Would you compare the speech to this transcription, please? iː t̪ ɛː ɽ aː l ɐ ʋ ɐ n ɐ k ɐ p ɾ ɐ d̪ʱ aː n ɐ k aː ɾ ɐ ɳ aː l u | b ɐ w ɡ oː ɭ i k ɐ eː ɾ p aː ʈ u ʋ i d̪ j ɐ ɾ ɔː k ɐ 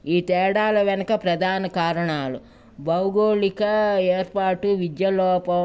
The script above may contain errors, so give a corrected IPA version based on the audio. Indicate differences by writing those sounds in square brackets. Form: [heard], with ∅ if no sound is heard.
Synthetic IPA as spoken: iː t̪ ɛː ɽ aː l ɐ ʋ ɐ n ɐ k ɐ p ɾ ɐ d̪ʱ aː n ɐ k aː ɾ ɐ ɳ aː l u | b ɐ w ɡ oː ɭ i k ɐ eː ɾ p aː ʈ u ʋ i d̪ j ɐ [l] ɔː [p] ɐ